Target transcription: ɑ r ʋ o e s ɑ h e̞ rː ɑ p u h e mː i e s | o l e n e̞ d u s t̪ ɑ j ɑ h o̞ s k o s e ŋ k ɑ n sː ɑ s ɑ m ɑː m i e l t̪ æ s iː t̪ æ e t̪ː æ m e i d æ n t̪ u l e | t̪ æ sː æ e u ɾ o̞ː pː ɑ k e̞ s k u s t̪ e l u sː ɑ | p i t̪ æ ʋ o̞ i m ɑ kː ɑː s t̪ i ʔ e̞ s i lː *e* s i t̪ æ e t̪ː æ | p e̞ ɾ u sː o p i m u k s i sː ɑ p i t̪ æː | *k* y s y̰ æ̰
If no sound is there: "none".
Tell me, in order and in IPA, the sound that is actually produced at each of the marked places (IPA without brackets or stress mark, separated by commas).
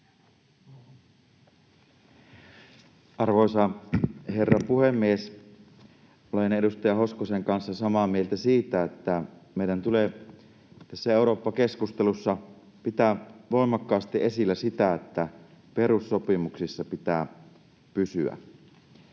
æ, p